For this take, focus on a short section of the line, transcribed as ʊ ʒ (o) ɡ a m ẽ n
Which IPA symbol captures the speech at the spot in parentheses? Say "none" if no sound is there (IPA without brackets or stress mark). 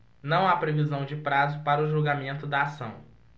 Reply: u